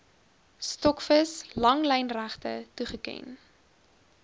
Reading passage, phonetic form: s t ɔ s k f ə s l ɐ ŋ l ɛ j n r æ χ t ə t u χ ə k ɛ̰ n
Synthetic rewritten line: s t ɔ k f ə s l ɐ ŋ l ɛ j n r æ χ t ə t u χ ə k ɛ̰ n